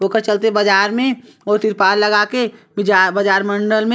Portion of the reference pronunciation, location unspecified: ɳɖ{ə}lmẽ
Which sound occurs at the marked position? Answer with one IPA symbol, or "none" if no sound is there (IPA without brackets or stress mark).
ə